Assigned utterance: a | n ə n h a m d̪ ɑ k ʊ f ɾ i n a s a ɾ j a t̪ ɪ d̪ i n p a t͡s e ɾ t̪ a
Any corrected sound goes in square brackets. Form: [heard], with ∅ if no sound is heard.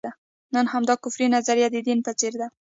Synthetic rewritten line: a | n ə n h a m d̪ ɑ k ʊ f ɾ i n a [z] a ɾ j a [d̪] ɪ d̪ i n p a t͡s e ɾ [d̪] a